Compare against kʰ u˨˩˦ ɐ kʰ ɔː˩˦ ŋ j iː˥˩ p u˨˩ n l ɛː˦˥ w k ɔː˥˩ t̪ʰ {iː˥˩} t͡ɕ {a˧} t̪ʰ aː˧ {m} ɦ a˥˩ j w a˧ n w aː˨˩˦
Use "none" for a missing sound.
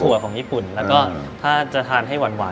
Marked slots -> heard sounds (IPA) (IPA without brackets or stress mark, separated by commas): aː˥˩, a˨˩, n